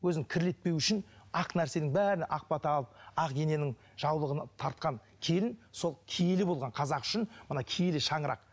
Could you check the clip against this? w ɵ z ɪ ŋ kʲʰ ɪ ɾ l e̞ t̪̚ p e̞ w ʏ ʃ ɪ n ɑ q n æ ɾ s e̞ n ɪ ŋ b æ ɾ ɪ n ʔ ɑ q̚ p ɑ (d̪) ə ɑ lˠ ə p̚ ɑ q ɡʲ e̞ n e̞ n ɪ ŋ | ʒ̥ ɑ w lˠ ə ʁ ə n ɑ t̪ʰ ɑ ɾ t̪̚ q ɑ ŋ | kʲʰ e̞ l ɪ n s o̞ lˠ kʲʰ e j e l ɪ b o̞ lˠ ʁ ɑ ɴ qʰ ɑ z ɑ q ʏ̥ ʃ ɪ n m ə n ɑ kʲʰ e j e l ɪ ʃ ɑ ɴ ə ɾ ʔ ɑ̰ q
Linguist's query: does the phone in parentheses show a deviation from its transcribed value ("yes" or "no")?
yes